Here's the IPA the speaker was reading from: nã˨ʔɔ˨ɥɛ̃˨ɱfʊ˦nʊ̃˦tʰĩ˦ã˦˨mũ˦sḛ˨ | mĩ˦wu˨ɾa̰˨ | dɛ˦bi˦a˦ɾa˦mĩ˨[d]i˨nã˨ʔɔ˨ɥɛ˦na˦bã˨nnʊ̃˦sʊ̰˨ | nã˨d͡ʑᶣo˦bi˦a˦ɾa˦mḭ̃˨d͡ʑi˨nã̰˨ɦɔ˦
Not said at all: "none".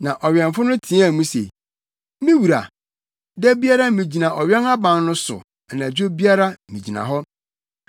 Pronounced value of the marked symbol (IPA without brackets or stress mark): d͡ʑ